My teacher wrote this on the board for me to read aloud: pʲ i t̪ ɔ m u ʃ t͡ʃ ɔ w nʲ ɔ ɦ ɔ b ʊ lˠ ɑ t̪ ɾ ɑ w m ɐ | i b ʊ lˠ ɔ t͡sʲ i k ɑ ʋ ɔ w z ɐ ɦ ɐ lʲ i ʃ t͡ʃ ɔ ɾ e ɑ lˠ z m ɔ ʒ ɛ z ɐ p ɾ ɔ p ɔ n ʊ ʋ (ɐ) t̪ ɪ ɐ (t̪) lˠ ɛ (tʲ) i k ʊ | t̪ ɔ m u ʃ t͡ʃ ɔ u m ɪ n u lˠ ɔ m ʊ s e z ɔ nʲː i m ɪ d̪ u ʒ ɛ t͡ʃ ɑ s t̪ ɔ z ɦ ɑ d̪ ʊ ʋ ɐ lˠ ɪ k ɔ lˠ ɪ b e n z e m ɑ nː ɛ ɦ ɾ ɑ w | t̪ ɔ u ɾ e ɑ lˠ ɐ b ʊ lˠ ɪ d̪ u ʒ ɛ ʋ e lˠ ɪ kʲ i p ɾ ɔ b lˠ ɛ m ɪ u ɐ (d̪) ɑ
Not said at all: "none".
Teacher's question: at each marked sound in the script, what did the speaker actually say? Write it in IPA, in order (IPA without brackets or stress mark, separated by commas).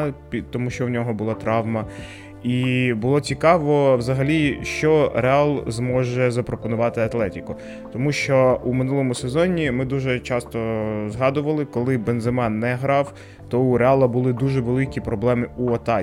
ɑ, t̪, tʲ, t̪